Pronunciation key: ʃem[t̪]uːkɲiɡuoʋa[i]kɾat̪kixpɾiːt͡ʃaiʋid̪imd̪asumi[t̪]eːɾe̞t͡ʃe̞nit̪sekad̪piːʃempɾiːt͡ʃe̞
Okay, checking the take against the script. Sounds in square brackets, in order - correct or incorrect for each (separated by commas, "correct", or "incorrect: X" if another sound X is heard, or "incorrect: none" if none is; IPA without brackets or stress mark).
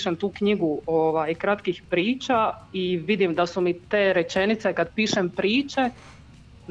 correct, incorrect: j, correct